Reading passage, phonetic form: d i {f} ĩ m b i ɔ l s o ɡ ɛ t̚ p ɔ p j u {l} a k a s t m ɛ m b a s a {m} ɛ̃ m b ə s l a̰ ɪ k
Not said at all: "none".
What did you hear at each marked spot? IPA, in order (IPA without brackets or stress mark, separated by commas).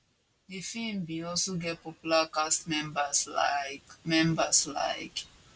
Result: f, l, m